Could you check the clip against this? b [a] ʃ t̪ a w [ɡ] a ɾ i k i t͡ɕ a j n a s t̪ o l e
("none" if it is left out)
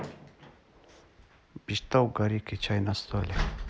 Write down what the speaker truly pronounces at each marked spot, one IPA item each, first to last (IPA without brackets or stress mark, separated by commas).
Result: i, ɡ